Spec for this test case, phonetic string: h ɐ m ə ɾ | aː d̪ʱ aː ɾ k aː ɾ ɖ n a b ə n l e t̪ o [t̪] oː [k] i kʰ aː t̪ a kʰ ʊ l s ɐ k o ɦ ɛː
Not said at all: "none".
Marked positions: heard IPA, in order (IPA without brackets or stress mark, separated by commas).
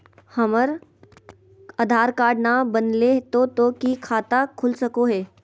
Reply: t̪, k